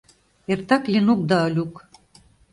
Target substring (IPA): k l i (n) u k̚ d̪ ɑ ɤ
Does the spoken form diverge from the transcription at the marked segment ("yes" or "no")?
no